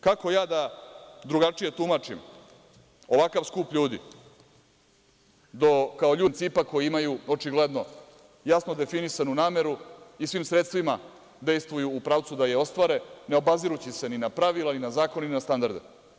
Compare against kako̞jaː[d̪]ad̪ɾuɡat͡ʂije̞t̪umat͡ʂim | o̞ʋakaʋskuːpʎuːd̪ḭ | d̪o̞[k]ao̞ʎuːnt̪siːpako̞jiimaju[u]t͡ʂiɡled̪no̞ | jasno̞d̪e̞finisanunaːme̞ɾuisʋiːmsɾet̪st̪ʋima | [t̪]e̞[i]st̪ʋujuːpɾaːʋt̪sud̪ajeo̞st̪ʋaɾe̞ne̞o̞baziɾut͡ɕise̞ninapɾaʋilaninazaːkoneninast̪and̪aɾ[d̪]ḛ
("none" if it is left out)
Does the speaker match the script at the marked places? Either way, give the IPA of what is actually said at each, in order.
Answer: d̪, k, o, d̪, j, d̪

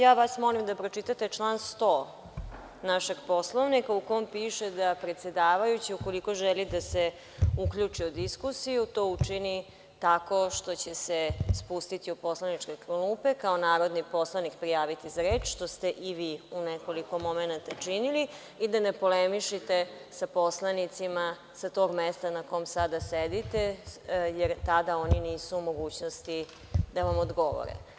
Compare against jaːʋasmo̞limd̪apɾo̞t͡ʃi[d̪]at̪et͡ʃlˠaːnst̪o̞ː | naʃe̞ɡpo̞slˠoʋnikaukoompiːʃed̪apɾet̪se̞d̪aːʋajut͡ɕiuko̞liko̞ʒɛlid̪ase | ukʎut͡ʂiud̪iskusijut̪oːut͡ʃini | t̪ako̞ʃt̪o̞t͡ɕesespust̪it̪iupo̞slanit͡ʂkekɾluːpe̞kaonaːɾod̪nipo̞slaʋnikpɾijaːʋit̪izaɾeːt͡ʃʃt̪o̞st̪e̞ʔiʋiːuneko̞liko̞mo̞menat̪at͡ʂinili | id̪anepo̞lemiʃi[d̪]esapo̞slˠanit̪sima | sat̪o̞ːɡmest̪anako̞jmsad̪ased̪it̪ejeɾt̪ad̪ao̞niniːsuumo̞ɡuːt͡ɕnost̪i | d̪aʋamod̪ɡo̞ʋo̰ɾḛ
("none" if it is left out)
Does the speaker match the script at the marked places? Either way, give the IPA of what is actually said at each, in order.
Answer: t̪, t̪

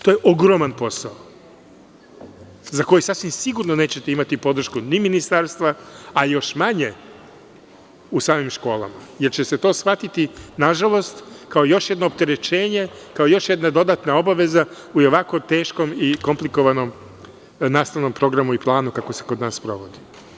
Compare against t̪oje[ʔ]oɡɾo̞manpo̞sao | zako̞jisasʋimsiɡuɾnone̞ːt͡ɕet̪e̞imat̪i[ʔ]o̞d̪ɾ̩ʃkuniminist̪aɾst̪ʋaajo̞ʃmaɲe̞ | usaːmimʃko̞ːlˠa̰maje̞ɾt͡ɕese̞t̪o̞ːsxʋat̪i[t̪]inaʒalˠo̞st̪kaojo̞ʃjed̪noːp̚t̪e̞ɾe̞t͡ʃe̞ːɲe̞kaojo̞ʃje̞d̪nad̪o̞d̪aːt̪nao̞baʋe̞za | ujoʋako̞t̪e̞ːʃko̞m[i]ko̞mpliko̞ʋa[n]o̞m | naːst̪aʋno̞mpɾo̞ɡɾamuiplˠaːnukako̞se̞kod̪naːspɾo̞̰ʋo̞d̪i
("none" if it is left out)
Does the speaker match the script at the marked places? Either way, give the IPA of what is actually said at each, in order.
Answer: ʔ, p, t̪, i, n

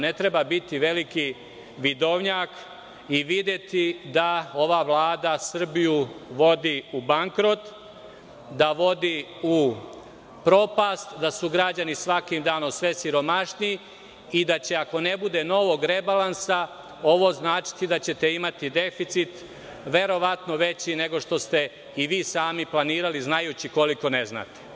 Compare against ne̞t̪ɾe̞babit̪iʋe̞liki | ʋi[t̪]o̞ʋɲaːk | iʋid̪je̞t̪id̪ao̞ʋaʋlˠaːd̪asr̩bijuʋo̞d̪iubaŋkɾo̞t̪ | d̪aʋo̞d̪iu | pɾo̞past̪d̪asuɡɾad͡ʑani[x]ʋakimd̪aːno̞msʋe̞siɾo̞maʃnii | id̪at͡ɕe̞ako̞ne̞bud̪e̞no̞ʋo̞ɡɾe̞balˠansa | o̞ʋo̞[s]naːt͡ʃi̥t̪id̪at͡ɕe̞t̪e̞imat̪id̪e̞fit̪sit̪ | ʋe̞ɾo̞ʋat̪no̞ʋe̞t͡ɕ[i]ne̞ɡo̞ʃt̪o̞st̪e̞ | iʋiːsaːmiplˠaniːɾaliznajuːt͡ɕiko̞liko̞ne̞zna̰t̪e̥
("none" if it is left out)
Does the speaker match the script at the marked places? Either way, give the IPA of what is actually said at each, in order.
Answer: d̪, s, z, i

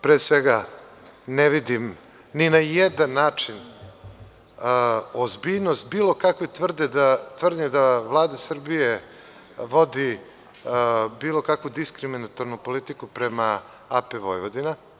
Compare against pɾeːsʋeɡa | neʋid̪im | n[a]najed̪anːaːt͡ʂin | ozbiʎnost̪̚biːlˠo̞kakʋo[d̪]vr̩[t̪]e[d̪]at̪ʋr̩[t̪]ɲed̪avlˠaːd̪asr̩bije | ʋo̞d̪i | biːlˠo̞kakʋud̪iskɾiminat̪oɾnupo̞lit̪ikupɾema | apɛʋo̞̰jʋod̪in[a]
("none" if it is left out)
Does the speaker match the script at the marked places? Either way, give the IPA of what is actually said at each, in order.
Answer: i, t̪, d̪, d̪, d̪, a

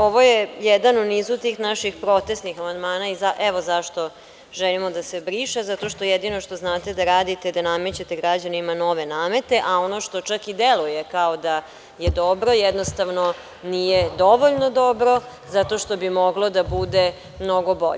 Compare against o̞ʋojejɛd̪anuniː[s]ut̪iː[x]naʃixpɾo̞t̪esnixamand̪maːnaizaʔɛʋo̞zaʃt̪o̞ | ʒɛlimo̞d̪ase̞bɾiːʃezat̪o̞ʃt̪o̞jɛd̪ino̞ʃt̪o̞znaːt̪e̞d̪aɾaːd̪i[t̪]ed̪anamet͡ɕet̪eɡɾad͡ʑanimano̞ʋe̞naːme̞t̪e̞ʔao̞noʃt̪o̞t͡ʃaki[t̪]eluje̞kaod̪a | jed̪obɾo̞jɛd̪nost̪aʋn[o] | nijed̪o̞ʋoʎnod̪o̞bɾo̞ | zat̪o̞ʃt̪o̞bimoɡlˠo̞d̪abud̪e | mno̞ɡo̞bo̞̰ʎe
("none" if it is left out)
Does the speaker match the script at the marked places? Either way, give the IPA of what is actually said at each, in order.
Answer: z, x, t̪, d̪, o

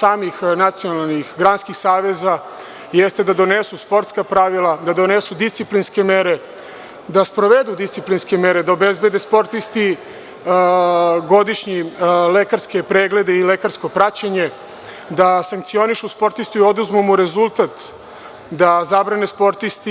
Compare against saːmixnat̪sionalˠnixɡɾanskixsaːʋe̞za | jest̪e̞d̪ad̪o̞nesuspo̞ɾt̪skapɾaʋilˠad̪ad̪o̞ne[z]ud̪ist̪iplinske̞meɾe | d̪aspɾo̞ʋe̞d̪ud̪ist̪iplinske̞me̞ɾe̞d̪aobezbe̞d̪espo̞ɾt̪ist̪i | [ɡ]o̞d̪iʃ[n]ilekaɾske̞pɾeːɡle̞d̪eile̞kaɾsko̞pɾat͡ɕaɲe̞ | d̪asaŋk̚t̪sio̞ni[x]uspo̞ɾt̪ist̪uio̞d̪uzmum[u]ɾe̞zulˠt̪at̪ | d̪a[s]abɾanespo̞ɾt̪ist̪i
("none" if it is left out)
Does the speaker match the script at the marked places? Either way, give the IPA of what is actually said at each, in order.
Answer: s, ɡ, ɲ, ʃ, u, z

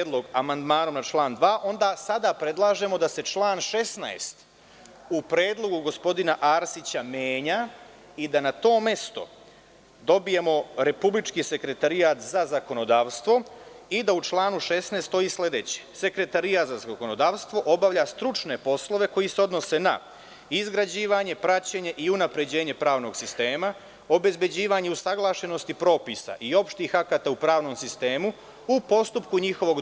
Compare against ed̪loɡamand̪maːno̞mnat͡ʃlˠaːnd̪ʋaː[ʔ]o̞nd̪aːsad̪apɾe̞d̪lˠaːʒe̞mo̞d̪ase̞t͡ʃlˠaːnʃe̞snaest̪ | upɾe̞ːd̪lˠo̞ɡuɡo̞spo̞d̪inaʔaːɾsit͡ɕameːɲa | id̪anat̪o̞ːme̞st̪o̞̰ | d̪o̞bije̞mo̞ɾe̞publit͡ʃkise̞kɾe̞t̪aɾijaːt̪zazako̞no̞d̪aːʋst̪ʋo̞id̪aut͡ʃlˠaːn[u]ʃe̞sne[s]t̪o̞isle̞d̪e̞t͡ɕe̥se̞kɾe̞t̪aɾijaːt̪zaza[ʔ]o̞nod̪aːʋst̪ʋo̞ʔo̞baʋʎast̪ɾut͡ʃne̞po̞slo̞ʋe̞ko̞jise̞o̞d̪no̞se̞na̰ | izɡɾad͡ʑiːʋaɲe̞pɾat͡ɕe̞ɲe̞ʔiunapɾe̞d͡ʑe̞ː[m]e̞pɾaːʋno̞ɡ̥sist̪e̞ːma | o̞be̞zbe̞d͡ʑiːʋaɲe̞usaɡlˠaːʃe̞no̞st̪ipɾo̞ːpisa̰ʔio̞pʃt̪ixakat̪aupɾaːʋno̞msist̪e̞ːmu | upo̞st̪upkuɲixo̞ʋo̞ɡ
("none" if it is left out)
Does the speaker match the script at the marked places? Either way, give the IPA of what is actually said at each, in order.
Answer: ʔ, u, s, k, ɲ

